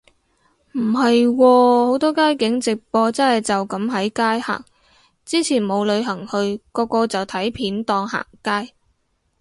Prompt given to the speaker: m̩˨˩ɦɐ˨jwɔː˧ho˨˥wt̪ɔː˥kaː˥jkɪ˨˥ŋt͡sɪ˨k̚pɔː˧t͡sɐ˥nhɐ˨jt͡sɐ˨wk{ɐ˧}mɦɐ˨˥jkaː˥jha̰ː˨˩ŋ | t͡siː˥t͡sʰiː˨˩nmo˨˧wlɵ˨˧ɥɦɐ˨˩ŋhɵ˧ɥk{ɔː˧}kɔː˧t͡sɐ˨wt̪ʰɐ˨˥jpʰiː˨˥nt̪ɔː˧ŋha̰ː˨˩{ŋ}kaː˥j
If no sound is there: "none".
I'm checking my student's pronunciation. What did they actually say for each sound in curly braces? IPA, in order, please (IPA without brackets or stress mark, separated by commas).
ɐ˨˥, ɔː˧, ŋ